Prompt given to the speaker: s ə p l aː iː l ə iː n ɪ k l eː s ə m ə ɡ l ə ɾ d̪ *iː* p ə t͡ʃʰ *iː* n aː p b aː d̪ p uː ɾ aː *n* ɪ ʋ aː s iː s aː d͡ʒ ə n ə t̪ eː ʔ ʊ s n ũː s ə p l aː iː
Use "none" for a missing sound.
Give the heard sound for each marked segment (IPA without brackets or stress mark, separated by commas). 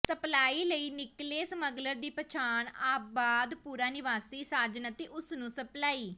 iː, aː, n